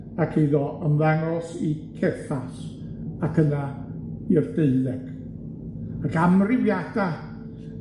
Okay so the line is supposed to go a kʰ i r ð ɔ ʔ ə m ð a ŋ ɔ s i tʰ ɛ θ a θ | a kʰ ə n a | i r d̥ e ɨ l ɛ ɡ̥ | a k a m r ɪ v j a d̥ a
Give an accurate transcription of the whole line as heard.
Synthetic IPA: a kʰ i ð ɔ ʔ ə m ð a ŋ ɔ s i kʰ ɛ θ a s | a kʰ ə n a | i r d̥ e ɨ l ɛ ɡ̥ | a k a m r ɪ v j a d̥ a